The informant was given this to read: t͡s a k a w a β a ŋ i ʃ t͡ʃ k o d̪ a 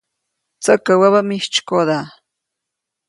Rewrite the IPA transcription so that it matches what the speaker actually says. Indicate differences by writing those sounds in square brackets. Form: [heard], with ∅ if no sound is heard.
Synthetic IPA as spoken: t͡s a k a w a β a [m] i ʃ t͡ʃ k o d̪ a

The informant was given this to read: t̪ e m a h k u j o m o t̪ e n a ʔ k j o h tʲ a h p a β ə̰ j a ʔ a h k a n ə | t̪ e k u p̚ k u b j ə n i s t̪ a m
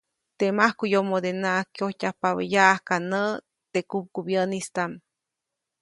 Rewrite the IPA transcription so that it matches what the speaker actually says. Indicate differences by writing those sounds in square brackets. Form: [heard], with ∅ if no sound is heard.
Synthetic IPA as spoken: t̪ e m a h k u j o m o [d̪] e n a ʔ k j o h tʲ a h p a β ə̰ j a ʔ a h k a n ə | t̪ e k u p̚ k u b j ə n i s t̪ a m

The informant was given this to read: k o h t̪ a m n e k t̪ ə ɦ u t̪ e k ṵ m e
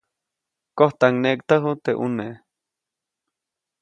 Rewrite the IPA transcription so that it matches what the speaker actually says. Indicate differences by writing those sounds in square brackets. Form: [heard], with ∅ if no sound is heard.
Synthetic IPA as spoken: k o h t̪ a [ŋ] n e k t̪ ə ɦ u t̪ e [ʔ] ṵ [n] e

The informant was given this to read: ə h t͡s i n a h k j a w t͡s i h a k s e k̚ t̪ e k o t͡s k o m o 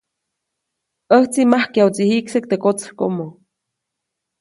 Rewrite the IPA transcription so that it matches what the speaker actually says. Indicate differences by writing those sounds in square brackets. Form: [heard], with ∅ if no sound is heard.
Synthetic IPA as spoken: ə h t͡s i [m] a h k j a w t͡s i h [i] k s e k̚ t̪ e k o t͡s k o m o

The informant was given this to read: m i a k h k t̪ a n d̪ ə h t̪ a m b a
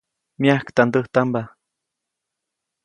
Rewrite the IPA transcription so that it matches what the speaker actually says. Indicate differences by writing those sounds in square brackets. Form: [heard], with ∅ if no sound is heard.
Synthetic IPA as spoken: m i a [∅] h k t̪ a n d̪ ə h t̪ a m b a

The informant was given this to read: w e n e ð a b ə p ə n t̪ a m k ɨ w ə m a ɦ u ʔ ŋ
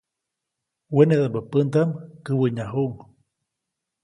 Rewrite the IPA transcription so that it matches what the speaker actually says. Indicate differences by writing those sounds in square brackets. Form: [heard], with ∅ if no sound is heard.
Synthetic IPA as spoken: w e n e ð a b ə p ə n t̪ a m k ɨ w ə [ɲ] a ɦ u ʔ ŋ

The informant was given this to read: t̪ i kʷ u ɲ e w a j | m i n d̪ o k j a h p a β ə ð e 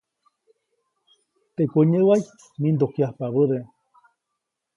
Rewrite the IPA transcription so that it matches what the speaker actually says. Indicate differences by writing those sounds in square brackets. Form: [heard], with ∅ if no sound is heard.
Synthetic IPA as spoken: t̪ [e] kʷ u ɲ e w a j | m i n d̪ o k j a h p a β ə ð e

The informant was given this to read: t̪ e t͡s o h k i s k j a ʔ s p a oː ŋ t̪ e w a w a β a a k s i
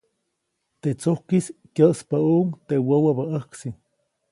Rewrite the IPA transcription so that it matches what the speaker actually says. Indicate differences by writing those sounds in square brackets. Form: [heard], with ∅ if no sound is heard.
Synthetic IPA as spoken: t̪ e t͡s o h k i s k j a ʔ s p a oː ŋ t̪ e w a w a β a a k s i

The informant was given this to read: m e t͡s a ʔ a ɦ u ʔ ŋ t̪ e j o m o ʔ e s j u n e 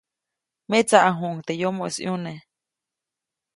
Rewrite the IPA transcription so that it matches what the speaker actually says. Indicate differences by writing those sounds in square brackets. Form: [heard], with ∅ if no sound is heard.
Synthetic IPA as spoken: m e t͡s a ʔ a ɦ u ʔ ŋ t̪ e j o m o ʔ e s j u n e

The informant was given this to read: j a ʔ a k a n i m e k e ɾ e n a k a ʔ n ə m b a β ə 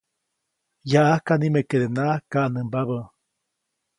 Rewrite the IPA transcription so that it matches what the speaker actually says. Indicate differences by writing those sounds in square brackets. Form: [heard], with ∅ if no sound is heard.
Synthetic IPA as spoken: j a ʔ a k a n i m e k e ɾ e n a k a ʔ n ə m b a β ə

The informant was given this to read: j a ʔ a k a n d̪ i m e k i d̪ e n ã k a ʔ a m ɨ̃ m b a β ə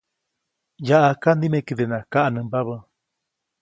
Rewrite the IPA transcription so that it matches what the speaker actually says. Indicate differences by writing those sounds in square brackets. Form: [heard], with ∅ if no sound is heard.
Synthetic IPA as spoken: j a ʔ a k a n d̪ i m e k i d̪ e n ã k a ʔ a [n] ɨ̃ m b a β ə

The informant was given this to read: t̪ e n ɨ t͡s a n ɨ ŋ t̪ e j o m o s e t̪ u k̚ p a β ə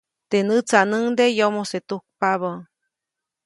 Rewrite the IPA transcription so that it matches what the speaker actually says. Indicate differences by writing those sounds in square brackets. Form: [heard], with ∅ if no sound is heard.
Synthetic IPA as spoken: t̪ e n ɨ t͡s a n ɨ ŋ [d̪] e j o m o s e t̪ u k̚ p a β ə

